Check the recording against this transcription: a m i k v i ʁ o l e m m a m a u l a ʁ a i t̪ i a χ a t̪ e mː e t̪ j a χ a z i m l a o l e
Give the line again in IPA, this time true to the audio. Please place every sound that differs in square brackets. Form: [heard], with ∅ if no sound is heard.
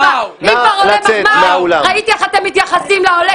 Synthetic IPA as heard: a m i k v [a] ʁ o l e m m a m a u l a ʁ a i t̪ i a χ a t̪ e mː [i] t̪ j a χ a [s] i m l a o l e